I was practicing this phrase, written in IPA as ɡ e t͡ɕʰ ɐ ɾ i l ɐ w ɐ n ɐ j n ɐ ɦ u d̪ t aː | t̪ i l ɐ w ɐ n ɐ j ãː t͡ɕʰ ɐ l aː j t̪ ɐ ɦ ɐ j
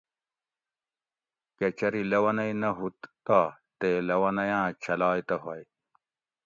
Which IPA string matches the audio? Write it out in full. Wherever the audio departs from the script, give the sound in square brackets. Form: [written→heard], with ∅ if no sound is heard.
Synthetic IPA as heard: [ɡ→k] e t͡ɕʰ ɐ ɾ i l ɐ w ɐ n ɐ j n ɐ ɦ u [d̪→t̪] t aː | t̪ [i→e] l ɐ w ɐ n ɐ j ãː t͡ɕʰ ɐ l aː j t̪ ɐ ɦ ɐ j